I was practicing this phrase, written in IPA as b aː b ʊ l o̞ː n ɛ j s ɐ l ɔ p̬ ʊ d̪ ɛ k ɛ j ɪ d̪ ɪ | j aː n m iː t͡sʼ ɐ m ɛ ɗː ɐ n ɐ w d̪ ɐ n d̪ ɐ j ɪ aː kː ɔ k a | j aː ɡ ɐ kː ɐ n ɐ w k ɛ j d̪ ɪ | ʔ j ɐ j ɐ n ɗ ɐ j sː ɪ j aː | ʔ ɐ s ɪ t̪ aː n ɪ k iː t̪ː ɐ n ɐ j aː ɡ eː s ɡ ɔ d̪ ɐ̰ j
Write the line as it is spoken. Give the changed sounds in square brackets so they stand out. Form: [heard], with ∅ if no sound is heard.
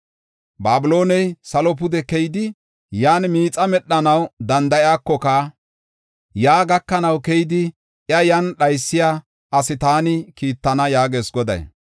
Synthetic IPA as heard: b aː b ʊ l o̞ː n ɛ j s ɐ l ɔ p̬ ʊ d̪ ɛ k ɛ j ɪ d̪ ɪ | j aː n m iː t͡sʼ ɐ m ɛ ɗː ɐ n ɐ w d̪ ɐ n d̪ ɐ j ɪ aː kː ɔ k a | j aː ɡ ɐ kː ɐ n ɐ w k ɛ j d̪ ɪ | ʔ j ɐ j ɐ n ɗ ɐ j sː ɪ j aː | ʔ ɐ s ɪ t̪ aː n ɪ k iː t̪ː ɐ n ɐ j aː ɡ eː s ɡ ɔ d̪ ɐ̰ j

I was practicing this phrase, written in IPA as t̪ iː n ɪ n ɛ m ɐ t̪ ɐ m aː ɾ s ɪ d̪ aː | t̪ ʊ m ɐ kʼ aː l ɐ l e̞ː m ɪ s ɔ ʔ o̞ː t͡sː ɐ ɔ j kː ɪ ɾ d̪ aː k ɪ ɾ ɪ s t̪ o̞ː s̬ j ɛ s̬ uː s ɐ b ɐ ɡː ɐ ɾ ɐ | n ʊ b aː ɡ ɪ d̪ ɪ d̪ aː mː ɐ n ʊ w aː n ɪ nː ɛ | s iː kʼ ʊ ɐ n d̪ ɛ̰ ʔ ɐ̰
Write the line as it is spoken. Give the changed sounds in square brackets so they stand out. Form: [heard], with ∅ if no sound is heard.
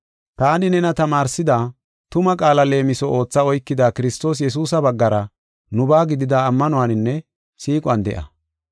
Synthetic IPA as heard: t̪ [aː] n ɪ n ɛ [n] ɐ t̪ ɐ m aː ɾ s ɪ d̪ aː | t̪ ʊ m ɐ kʼ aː l ɐ l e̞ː m ɪ s ɔ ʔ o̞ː t͡sː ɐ ɔ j kː ɪ [∅] d̪ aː k ɪ ɾ ɪ s t̪ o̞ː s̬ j ɛ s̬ uː s ɐ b ɐ ɡː ɐ ɾ ɐ | n ʊ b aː ɡ ɪ d̪ ɪ d̪ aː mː ɐ n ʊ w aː n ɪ nː ɛ | s iː kʼ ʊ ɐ n d̪ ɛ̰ ʔ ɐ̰

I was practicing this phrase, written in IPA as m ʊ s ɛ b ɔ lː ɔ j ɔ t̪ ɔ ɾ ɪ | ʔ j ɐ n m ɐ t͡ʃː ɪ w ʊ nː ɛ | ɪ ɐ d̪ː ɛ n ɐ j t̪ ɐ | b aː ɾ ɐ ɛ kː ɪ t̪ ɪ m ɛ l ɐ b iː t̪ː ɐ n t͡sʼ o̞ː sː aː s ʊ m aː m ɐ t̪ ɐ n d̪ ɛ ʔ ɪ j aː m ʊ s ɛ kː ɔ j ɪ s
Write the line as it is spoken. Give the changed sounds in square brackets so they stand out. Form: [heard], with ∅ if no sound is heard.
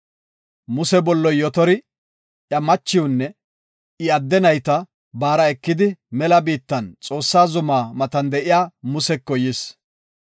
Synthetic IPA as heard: m ʊ s ɛ b ɔ lː ɔ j ɔ t̪ ɔ ɾ ɪ | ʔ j ɐ [∅] m ɐ t͡ʃː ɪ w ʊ nː ɛ | ɪ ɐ d̪ː ɛ n ɐ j t̪ ɐ | b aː ɾ ɐ ɛ kː ɪ [d̪] ɪ m ɛ l ɐ b iː t̪ː ɐ n t͡sʼ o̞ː sː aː [z] ʊ m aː m ɐ t̪ ɐ n d̪ ɛ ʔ ɪ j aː m ʊ s ɛ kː ɔ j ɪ s

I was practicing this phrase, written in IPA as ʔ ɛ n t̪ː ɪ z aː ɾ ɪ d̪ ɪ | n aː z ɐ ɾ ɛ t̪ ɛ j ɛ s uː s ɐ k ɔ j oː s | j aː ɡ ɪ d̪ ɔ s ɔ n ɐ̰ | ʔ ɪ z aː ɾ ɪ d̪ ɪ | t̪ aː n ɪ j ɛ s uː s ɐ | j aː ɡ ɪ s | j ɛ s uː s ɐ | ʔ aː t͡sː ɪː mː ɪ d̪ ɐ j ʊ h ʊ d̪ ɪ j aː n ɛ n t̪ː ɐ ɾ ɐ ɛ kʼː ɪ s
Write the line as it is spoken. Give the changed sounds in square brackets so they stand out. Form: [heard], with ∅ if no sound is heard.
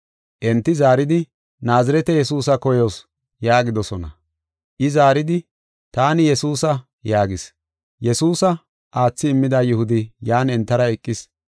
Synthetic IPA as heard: ʔ ɛ n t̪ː ɪ z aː ɾ ɪ d̪ ɪ | n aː z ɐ ɾ ɛ t̪ ɛ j ɛ s uː s ɐ k ɔ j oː s | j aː ɡ ɪ d̪ ɔ s ɔ n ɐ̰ | ʔ ɪ z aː ɾ ɪ d̪ ɪ | t̪ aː n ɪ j ɛ s uː s ɐ | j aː ɡ ɪ s | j ɛ s uː s ɐ | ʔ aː t͡sː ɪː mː ɪ d̪ ɐ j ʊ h ʊ d̪ ɪ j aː n ɛ n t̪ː ɐ ɾ ɐ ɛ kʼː ɪ s

